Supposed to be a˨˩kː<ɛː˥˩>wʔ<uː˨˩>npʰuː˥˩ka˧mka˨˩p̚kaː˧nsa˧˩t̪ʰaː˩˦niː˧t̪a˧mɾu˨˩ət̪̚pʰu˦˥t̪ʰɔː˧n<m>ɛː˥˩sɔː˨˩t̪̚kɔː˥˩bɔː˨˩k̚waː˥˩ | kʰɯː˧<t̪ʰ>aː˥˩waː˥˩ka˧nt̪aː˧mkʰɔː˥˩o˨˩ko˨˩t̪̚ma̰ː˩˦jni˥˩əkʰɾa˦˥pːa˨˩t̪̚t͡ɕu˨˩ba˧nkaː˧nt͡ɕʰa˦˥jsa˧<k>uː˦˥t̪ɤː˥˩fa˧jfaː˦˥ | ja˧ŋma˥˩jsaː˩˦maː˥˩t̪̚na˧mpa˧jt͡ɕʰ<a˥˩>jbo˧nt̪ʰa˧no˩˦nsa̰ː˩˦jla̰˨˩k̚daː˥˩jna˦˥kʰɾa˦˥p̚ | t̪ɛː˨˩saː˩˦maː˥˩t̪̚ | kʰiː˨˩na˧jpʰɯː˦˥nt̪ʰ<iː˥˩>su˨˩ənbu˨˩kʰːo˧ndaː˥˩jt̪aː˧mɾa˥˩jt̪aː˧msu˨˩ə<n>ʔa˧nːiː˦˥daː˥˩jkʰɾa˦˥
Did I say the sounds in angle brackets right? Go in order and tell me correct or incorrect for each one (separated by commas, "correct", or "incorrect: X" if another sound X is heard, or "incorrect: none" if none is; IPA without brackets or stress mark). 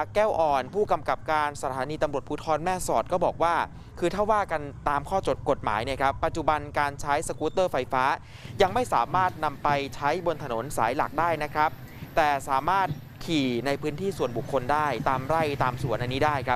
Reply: correct, incorrect: ɔː˨˩, correct, correct, correct, incorrect: a˦˥, correct, correct